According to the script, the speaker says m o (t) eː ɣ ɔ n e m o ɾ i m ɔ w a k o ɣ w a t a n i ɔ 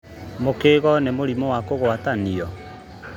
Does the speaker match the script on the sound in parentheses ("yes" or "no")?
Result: no